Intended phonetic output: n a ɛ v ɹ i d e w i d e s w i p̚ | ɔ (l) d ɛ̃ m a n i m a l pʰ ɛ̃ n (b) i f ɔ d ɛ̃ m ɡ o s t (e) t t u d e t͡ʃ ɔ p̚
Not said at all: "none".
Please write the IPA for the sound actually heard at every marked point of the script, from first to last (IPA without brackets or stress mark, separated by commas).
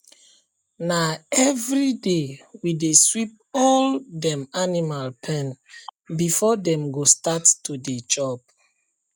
l, b, a